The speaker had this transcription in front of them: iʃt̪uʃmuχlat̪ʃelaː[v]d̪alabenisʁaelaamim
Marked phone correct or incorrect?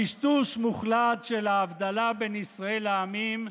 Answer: correct